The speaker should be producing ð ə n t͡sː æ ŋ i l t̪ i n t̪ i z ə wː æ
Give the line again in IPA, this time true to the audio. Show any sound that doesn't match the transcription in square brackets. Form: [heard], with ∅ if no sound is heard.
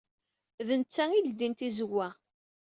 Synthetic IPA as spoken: ð ə n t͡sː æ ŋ i l [d̪] i n t̪ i z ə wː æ